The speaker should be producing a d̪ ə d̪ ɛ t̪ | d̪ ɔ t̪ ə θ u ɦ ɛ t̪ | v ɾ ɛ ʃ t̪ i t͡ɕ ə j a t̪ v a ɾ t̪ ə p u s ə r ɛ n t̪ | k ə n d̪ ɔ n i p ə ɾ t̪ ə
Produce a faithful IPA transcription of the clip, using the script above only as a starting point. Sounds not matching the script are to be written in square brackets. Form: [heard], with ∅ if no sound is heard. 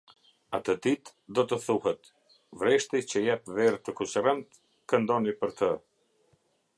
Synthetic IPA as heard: a [t̪] ə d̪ [i] t̪ | d̪ ɔ t̪ ə θ u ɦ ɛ t̪ | v ɾ ɛ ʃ t̪ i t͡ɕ ə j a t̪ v [ɛ] ɾ t̪ ə [k] u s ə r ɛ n t̪ | k ə n d̪ ɔ n i p ə ɾ t̪ ə